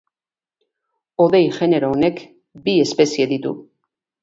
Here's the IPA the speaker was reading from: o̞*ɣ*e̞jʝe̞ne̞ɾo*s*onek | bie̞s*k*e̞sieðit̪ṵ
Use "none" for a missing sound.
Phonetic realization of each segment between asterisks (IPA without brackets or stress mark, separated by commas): ð, none, p